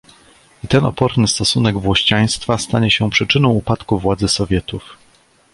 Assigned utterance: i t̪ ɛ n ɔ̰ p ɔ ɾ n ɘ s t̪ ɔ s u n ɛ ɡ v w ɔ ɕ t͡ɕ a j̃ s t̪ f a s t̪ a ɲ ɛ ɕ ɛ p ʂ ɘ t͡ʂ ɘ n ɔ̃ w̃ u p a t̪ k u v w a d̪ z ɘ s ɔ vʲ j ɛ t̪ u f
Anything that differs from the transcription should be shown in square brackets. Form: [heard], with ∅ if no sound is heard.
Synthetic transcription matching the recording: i t̪ ɛ n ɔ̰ p ɔ ɾ n ɘ s t̪ ɔ s u n ɛ ɡ v w ɔ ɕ t͡ɕ a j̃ s t̪ f a s t̪ a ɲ ɛ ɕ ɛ p ʂ ɘ t͡ʂ ɘ n ɔ̃ w̃ u p a t̪ k u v w a d̪ z ɘ s ɔ vʲ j ɛ t̪ u f